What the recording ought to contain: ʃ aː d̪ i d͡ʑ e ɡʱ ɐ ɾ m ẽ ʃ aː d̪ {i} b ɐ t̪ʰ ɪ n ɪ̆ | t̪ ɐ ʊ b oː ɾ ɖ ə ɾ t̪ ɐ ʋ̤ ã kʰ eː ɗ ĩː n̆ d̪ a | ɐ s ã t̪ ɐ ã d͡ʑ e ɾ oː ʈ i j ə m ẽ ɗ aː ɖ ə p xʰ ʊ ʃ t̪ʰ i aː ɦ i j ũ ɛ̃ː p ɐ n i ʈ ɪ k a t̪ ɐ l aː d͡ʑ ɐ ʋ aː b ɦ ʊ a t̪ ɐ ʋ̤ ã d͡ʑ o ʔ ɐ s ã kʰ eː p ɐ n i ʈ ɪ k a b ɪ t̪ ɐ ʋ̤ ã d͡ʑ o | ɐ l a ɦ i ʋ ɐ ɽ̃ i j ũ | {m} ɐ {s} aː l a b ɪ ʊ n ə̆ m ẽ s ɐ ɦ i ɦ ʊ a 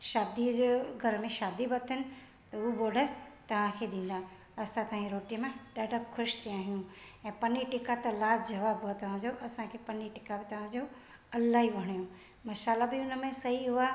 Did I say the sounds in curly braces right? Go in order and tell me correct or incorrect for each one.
correct, correct, incorrect

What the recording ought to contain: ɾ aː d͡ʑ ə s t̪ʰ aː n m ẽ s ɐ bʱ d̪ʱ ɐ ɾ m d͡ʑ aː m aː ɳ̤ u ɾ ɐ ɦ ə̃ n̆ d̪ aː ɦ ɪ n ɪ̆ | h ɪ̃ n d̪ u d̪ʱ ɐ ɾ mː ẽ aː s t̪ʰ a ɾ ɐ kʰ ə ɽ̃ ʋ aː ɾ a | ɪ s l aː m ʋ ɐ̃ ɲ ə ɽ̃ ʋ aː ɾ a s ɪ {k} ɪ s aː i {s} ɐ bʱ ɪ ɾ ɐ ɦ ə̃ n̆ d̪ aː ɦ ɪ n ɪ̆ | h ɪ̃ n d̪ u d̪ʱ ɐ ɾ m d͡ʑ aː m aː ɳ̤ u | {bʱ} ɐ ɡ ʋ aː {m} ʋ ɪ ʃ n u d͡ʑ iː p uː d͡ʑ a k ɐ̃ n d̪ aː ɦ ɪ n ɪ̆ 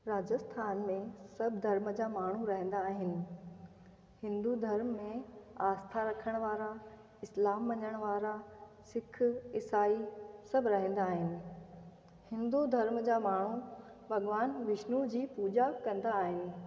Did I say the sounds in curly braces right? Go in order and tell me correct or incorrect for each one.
incorrect, correct, correct, incorrect

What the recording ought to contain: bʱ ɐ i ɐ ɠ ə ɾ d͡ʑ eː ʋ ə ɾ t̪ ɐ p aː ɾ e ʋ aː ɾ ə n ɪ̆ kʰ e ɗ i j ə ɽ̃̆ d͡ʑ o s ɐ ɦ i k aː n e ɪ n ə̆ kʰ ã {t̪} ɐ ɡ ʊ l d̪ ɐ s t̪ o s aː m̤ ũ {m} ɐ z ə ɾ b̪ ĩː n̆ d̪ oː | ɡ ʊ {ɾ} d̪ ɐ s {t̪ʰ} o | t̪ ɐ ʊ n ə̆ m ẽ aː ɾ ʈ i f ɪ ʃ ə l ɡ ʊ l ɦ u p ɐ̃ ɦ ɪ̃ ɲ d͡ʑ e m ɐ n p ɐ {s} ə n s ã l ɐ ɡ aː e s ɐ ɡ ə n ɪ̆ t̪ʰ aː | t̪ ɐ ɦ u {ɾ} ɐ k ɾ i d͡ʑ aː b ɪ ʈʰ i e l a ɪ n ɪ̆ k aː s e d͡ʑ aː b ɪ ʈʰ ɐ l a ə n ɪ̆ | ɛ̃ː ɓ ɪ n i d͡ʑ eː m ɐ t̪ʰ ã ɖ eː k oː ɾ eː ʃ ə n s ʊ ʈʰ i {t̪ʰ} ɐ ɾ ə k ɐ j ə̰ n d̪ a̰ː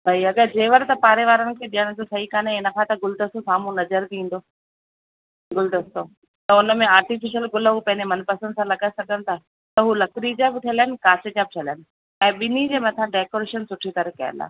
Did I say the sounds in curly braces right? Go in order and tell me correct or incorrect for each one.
correct, incorrect, incorrect, incorrect, correct, incorrect, incorrect

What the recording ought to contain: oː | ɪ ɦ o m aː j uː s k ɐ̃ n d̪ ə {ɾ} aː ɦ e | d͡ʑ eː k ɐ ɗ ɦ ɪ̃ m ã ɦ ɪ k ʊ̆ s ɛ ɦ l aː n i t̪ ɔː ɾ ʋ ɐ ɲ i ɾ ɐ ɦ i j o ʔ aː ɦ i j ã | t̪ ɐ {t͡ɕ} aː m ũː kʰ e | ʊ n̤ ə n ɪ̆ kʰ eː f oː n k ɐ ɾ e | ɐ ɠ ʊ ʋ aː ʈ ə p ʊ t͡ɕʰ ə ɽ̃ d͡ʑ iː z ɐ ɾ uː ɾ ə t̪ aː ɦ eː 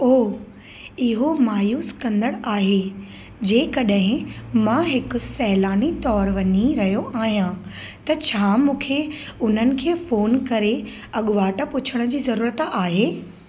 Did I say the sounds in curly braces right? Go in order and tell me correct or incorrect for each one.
incorrect, incorrect

